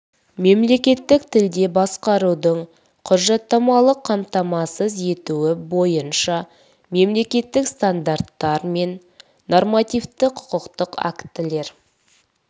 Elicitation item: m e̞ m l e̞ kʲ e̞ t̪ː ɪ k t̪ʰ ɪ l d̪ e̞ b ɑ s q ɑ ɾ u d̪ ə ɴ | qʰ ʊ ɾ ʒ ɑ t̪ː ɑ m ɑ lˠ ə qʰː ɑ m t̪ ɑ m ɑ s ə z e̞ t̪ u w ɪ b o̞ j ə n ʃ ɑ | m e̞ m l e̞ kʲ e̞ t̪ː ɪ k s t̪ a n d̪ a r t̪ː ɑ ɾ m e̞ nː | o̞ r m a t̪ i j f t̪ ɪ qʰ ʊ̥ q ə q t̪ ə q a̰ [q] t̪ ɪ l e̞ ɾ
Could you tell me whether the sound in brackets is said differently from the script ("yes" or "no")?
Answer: yes